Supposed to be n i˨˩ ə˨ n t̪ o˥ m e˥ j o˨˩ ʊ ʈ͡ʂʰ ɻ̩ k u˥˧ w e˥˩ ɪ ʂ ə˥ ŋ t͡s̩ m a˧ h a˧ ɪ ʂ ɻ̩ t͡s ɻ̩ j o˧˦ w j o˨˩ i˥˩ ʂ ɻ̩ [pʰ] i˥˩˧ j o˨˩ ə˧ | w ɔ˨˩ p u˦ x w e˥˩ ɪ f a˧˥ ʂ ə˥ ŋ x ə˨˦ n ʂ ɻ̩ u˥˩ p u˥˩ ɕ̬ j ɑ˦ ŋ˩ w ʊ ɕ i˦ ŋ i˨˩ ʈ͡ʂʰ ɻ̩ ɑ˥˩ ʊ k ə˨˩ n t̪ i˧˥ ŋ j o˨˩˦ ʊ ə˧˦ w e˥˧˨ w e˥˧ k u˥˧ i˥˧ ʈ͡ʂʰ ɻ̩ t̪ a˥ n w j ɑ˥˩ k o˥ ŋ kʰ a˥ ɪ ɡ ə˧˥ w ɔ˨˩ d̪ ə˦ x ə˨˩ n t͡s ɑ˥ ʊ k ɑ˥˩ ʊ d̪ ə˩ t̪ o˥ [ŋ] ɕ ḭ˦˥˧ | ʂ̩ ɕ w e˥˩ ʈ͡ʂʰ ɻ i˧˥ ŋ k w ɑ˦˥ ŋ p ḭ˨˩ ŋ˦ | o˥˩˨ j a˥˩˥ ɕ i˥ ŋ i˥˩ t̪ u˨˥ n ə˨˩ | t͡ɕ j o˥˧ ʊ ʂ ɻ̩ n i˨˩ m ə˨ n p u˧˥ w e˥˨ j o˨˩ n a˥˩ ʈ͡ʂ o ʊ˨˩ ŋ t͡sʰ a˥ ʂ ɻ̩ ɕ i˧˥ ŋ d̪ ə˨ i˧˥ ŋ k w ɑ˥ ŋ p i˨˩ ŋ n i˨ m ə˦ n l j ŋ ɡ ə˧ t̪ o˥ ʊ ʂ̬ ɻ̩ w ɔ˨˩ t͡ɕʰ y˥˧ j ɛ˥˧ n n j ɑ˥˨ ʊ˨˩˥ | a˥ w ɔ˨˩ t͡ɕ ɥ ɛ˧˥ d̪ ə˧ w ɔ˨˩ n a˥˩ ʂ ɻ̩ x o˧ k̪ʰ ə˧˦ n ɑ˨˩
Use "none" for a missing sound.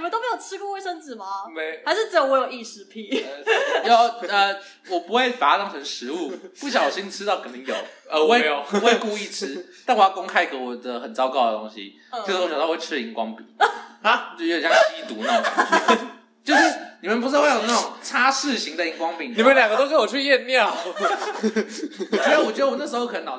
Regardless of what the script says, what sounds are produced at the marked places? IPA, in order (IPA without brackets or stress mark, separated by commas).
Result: pʰ, ŋ